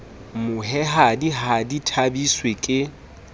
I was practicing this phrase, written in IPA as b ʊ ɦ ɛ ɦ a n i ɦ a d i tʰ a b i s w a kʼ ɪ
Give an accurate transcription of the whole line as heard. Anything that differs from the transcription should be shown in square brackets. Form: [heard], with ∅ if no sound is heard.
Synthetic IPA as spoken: [m] ʊ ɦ ɛ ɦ a [d] i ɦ a d i tʰ a b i s w [e] kʼ ɪ